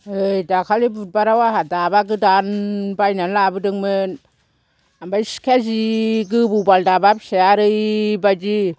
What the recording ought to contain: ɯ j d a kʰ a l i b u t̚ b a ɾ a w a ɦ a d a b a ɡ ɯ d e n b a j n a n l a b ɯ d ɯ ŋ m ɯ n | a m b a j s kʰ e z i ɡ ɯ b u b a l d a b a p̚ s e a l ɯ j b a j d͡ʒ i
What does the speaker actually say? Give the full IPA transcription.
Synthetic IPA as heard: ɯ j d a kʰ a l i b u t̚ b a ɾ a w a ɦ a d a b a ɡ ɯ d a n b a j n a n l a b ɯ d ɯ ŋ m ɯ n | a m b a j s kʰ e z i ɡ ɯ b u b a l d a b a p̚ s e a ɾ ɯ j b a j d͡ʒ i